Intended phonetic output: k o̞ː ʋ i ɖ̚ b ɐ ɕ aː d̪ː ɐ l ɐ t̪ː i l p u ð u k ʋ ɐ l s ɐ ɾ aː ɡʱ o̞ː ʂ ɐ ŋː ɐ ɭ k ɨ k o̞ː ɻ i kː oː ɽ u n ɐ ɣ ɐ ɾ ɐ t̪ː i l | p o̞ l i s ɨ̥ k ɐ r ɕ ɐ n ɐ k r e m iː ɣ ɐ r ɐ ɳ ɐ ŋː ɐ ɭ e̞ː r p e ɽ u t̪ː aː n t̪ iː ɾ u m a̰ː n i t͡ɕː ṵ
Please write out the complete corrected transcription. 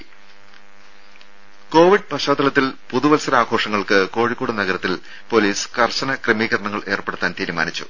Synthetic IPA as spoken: k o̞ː ʋ i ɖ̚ p ɐ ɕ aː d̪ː ɐ l ɐ t̪ː i l p u ð u ʋ ɐ l s ɐ ɾ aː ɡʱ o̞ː ʂ ɐ ŋː ɐ ɭ k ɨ k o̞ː ɻ i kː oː ɽ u n ɐ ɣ ɐ ɾ ɐ t̪ː i l | p o̞ l iː s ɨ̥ k ɐ r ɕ ɐ n ɐ k r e m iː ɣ ɐ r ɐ ɳ ɐ ŋː ɐ ɭ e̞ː r p e ɽ u t̪ː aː n t̪ iː ɾ u m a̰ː n i t͡ɕː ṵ